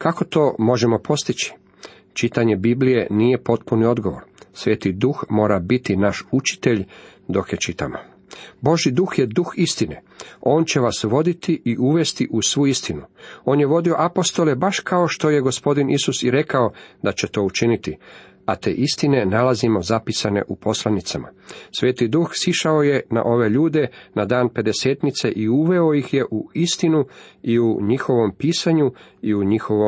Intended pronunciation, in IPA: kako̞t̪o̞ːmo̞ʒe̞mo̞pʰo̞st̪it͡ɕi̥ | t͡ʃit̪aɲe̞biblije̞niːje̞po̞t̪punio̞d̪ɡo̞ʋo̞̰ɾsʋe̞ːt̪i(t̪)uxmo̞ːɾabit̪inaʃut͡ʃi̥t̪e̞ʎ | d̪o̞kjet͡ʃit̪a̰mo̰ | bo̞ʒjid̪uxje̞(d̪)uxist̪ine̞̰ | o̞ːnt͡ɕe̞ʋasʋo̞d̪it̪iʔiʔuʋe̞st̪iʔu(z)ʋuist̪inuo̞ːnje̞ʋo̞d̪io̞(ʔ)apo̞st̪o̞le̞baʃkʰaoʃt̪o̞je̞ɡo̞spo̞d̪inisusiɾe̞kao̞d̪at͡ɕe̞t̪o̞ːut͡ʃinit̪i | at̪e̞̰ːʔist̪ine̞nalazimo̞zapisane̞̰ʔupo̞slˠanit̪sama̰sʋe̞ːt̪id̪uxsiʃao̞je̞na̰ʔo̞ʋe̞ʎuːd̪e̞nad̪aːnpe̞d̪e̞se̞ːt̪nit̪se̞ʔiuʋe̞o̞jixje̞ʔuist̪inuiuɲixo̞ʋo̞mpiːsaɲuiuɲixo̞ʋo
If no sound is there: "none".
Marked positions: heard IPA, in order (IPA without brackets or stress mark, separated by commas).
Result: d̪, d̪, s, ʔ